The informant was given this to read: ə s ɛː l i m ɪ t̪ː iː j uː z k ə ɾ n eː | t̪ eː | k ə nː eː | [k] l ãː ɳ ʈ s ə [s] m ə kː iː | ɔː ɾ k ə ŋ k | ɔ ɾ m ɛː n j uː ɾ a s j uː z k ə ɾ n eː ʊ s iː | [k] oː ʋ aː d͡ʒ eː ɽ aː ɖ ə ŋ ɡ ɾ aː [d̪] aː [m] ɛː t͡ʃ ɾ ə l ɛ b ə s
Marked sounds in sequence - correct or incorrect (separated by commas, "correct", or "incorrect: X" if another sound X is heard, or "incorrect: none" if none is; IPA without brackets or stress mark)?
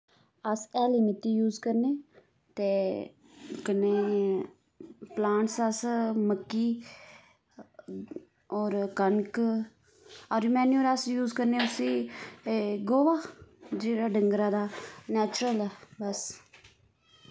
incorrect: p, correct, incorrect: ɡ, correct, incorrect: n